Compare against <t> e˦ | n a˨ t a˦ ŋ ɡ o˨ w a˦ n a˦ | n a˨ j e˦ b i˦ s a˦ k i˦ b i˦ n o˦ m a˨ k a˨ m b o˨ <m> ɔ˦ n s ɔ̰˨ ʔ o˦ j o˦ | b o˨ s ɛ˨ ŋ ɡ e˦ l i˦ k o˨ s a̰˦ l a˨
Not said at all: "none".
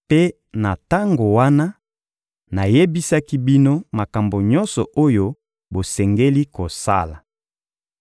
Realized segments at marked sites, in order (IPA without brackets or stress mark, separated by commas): p, ɲ